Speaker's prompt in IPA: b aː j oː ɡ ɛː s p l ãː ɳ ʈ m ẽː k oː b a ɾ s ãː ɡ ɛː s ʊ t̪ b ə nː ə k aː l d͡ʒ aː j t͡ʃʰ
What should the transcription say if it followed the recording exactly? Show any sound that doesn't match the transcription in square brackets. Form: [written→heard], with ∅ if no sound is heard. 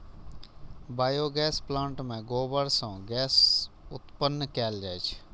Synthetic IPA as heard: b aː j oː ɡ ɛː s p l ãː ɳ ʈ m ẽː [k→ɡ] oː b [a→ə] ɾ s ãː ɡ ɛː s ʊ t̪ [b→p] ə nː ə k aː l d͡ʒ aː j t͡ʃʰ